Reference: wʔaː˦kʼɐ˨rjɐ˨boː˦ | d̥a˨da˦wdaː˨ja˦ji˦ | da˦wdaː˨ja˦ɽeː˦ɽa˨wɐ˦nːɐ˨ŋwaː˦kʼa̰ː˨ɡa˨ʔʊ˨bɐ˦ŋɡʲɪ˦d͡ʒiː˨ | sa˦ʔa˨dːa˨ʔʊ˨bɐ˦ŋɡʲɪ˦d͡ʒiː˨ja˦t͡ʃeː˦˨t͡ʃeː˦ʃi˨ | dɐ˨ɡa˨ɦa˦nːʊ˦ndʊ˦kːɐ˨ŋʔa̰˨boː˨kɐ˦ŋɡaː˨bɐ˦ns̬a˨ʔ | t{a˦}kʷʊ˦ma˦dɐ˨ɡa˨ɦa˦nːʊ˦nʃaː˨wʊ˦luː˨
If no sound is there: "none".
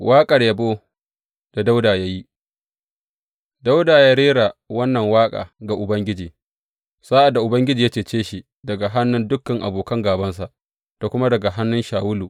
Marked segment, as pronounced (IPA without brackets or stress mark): a˨